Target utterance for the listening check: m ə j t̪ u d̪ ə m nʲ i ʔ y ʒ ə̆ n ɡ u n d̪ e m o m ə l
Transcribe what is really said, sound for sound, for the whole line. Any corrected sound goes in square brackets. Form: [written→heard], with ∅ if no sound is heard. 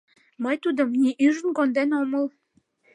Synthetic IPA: m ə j t̪ u d̪ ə m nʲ i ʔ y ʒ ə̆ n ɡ [u→o] n d̪ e [m→n] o m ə l